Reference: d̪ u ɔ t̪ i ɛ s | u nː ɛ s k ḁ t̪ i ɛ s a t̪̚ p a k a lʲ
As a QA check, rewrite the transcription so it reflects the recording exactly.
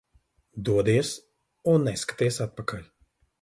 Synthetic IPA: d̪ u ɔ d̪ i ɛ s | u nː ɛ s k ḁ t̪ i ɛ s a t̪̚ p a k a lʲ